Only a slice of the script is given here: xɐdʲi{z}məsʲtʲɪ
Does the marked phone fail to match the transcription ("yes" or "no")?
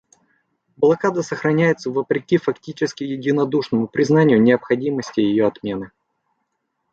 yes